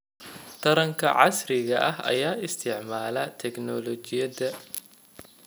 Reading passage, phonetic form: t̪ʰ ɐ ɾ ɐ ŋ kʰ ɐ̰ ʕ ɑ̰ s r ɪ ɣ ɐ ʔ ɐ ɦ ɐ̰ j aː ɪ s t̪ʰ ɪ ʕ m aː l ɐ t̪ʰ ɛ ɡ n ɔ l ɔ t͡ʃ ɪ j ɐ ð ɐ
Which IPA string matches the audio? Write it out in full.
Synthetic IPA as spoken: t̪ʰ ɐ ɾ ɐ ŋ kʰ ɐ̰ ʕ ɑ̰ s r ɪ ɣ ɐ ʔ ɐ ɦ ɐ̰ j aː ɪ s t̪ʰ ɪ ʕ m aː l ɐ t̪ʰ ɛ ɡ n ɔ l ɔ t͡ʃ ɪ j ɐ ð ɐ